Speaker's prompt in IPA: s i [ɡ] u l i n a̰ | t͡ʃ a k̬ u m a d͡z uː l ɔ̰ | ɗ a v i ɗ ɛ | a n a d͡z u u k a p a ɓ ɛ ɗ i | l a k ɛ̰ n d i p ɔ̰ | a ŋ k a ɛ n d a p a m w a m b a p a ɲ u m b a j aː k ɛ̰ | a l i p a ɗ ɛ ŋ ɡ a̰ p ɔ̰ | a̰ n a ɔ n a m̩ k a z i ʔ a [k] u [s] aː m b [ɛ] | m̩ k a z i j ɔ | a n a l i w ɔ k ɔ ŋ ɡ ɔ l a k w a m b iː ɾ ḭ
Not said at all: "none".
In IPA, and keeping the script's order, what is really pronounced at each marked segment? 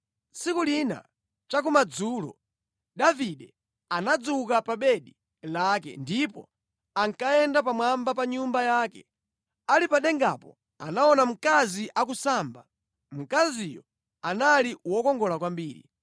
k, k, s, a

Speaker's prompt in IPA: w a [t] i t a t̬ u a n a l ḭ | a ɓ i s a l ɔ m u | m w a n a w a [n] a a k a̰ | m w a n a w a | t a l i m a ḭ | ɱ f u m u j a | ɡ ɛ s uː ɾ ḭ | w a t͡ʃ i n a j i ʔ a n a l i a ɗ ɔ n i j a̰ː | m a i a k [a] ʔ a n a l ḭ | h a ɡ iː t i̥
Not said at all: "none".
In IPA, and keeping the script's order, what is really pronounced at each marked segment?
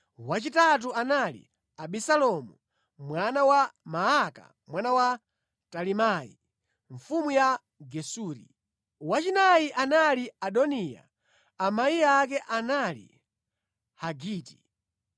t͡ʃ, m, ɛ

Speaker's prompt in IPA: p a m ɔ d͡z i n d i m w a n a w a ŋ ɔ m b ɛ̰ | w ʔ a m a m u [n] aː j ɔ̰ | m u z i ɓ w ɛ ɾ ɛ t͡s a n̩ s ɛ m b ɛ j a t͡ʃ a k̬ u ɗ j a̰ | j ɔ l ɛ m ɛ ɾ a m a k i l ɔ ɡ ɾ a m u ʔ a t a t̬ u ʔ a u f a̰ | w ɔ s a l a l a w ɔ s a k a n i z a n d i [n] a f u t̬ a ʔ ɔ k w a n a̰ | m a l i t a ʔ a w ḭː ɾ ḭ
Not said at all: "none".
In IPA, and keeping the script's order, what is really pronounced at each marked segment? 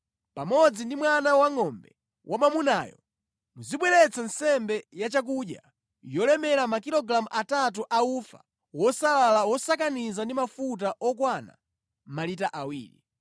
n, m

